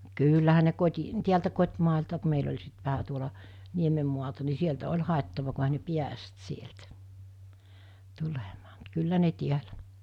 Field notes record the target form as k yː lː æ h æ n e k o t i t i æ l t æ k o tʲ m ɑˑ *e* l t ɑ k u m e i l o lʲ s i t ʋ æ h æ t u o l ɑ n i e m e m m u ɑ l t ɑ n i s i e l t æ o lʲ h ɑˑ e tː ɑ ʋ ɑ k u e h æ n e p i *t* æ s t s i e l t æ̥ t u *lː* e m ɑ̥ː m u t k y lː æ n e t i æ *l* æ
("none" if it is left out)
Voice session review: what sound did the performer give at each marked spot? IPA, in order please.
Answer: e, none, l, l

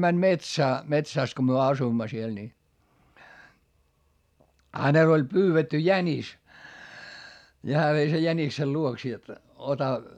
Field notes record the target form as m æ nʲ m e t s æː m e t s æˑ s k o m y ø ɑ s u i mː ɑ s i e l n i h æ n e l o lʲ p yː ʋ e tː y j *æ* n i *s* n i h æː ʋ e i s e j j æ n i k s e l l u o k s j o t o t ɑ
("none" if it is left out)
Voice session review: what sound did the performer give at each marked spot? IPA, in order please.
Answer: æ, s

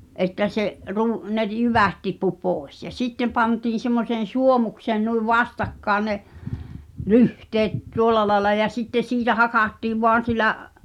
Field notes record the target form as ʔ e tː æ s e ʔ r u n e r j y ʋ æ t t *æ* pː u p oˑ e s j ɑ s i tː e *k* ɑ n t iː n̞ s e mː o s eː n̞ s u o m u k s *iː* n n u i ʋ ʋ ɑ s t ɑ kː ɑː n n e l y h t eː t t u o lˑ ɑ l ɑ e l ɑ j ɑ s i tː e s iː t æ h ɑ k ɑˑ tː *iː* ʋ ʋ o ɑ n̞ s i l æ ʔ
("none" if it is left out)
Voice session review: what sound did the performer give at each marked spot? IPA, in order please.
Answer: i, p, eː, iː

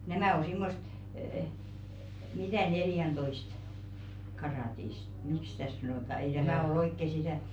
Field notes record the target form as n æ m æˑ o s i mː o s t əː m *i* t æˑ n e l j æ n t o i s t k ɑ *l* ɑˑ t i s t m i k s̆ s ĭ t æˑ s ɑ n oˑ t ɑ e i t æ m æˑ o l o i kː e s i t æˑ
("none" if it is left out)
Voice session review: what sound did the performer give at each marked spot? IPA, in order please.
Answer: i, r

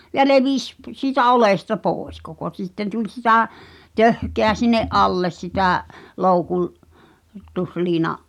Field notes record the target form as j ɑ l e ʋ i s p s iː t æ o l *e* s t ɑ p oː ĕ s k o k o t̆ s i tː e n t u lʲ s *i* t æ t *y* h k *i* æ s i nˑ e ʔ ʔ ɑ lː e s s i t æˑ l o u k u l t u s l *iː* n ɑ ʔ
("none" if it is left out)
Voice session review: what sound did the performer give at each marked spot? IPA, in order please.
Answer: e, i, ø, e, iː

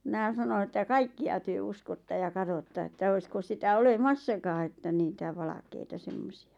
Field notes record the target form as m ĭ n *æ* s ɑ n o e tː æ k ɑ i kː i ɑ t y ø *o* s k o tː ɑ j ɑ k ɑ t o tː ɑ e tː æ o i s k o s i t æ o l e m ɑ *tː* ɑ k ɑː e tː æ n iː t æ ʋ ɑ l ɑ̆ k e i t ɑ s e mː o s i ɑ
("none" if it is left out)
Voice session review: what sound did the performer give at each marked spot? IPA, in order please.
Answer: æ, u, sː

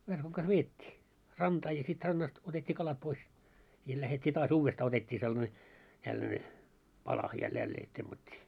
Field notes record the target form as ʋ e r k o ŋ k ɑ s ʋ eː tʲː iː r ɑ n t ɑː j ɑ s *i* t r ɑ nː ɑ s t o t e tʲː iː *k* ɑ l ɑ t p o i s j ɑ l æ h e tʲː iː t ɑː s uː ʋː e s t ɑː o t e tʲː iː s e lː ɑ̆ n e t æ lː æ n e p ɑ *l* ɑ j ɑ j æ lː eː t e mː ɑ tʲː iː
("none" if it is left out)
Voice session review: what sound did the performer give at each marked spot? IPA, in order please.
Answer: i, k, l

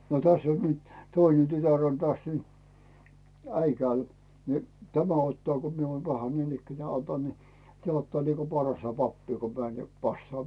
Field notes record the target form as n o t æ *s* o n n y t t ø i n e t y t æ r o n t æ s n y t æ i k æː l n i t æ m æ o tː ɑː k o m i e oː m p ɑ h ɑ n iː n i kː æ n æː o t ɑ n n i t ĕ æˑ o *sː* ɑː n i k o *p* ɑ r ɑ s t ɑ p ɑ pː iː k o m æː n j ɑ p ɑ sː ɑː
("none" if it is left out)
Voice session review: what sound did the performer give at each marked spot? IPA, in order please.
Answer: sː, tː, p

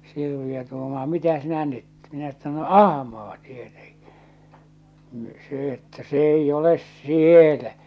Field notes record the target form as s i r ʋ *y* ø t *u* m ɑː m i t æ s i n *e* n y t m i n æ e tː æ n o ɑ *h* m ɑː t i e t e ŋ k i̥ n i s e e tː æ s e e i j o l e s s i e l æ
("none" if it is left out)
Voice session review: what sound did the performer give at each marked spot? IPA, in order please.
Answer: i, uː, æ, h

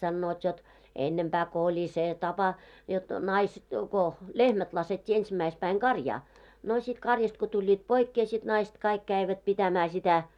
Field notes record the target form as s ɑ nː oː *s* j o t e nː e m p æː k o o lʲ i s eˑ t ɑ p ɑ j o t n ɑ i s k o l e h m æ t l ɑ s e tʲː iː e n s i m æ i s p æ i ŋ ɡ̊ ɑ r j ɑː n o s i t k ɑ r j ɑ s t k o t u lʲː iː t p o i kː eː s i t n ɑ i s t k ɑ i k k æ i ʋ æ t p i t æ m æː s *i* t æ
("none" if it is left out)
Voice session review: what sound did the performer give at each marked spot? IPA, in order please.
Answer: t, i

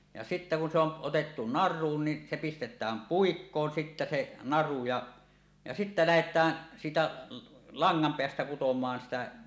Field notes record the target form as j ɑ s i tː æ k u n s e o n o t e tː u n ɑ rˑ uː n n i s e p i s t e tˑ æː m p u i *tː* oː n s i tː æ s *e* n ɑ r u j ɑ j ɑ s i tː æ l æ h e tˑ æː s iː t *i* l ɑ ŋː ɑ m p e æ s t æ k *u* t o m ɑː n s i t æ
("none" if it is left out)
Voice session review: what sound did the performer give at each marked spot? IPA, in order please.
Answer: kː, e, æ, u

